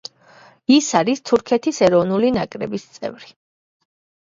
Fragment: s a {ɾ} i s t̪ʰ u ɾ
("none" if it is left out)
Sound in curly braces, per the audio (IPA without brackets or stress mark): ɾ